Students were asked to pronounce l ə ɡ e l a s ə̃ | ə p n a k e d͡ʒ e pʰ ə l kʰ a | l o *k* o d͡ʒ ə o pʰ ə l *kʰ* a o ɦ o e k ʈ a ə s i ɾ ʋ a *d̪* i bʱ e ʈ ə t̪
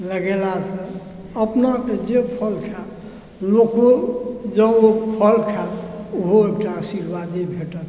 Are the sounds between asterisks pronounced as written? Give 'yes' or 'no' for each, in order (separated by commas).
yes, yes, yes